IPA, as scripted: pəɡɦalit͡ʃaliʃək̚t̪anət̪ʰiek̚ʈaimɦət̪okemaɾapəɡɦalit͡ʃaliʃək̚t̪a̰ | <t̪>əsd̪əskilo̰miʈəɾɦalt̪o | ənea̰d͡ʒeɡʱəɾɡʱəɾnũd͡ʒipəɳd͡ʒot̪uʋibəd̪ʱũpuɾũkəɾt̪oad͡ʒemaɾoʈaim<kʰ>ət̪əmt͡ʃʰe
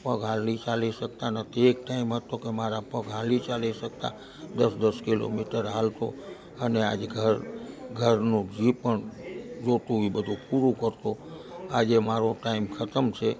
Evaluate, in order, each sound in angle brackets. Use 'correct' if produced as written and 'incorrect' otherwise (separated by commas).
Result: incorrect, correct